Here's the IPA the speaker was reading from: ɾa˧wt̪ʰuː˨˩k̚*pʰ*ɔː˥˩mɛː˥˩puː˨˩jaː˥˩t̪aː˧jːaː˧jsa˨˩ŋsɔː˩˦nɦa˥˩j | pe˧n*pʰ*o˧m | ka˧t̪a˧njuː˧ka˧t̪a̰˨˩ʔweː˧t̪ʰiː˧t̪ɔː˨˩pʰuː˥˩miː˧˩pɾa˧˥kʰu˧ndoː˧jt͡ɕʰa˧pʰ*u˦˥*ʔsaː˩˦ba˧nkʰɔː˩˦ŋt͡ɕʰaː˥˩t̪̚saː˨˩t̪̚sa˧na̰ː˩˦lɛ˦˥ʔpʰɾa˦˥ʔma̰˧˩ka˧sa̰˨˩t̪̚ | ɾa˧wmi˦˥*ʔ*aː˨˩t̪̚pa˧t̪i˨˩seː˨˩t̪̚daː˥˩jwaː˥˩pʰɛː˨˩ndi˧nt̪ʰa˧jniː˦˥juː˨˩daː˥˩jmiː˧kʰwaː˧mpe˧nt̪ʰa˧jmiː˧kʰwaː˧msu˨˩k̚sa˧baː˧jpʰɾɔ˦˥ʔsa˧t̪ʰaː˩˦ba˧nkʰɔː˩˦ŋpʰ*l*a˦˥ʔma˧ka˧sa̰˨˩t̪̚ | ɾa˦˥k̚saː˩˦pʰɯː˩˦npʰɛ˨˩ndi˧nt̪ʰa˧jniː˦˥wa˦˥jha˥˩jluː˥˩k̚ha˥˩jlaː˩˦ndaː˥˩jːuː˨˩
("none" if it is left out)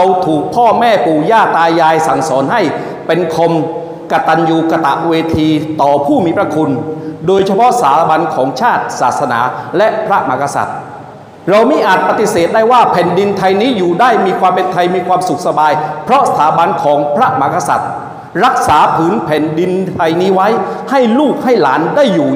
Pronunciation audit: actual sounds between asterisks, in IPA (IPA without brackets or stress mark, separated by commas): pʰ, kʰ, ɔ˦˥, ʔ, ɾ